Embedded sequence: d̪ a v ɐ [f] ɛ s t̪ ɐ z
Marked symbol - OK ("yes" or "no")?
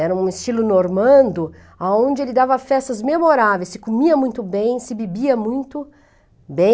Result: yes